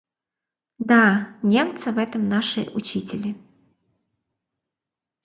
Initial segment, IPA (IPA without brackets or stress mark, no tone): d̪